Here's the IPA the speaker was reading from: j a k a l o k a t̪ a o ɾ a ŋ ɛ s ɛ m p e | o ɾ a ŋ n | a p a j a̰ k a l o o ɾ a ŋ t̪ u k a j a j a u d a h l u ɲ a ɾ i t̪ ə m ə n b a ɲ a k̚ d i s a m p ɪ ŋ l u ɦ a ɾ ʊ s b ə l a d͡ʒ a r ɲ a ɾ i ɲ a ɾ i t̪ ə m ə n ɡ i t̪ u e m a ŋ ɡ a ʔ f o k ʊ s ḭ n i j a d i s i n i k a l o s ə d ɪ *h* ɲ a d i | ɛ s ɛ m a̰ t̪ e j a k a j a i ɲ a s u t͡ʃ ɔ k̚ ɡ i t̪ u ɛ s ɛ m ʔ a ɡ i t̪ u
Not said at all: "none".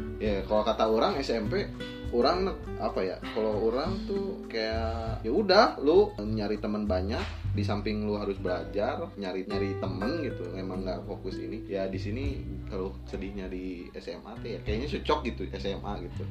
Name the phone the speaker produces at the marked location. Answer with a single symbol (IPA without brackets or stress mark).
h